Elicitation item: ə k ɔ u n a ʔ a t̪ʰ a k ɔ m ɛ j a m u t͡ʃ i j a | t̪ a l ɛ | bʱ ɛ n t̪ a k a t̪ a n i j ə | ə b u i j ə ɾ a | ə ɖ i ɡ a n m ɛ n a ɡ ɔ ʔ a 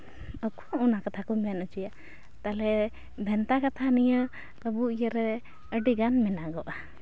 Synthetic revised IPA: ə k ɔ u n a k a t̪ʰ a k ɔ m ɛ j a n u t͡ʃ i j a | t̪ a l ɛ | bʱ ɛ n t̪ a k a t̪ʰ a n i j ə | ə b u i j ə ɾ ɛ | ə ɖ i ɡ a n m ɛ n a ɡ ɔ ʔ a